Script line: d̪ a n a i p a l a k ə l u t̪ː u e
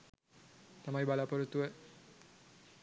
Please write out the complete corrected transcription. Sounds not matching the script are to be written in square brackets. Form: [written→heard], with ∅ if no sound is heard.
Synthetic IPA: [d̪→t̪] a [n→m] a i [p→b] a l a [k→p] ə [l→ɾ] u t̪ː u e